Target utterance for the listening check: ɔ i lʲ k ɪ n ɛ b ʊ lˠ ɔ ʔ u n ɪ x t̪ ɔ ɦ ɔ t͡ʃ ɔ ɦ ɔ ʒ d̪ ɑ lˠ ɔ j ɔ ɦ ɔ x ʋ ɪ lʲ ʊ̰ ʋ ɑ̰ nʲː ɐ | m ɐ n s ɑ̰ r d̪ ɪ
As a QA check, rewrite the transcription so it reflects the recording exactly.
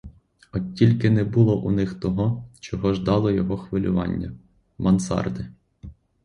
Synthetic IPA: ɔ i lʲ k ɪ n ɛ b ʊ lˠ ɔ ʔ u n ɪ x t̪ ɔ ɦ ɔ t͡ʃ ɔ ɦ ɔ ʒ d̪ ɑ lˠ ɔ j ɔ ɦ ɔ x ʋ ɪ lʲ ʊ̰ ʋ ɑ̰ nʲː ɐ | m ɐ n s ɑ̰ r d̪ ɪ

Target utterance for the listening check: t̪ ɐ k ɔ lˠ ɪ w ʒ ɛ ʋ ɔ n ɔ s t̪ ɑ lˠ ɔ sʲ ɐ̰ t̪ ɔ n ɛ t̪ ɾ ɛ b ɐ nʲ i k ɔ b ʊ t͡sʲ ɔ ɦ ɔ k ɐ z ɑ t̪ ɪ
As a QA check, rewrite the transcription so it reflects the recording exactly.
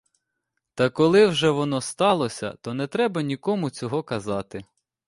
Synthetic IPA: t̪ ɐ k ɔ lˠ ɪ w ʒ ɛ ʋ ɔ n ɔ s t̪ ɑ lˠ ɔ sʲ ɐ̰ t̪ ɔ n ɛ t̪ ɾ ɛ b ɐ nʲ i k ɔ m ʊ t͡sʲ ɔ ɦ ɔ k ɐ z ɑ t̪ ɪ

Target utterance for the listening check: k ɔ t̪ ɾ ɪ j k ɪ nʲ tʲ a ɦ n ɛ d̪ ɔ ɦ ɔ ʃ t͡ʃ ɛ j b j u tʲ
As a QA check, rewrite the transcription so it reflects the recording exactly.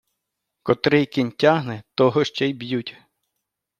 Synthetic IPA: k ɔ t̪ ɾ ɪ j k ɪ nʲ tʲ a ɦ n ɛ t̪ ɔ ɦ ɔ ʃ t͡ʃ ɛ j b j u tʲ

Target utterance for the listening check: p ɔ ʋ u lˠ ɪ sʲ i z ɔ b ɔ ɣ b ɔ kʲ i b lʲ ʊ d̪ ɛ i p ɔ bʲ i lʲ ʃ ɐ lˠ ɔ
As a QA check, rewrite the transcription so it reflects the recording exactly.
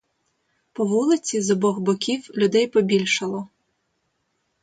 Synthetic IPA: p ɔ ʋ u lˠ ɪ t͡sʲ i z ɔ b ɔ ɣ b ɔ kʲ i w lʲ ʊ d̪ ɛ j p ɔ bʲ i lʲ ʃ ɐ lˠ ɔ

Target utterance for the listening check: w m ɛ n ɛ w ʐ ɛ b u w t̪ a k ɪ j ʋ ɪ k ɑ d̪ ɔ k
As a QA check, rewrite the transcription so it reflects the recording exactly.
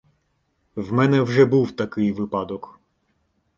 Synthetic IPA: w m ɛ n ɛ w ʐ ɛ b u w t̪ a k ɪ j ʋ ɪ p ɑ d̪ ɔ k

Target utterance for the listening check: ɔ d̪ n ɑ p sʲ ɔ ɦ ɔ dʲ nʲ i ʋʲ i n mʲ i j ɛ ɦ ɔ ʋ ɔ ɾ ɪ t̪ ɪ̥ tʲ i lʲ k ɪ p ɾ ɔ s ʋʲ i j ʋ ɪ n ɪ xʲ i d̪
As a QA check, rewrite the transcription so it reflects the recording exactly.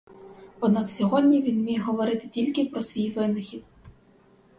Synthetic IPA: ɔ d̪ n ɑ k sʲ ɔ ɦ ɔ dʲ nʲ i ʋʲ i n mʲ i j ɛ ɦ ɔ ʋ ɔ ɾ ɪ t̪ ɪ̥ tʲ i lʲ k ɪ p ɾ ɔ s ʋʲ i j ʋ ɪ n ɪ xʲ i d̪

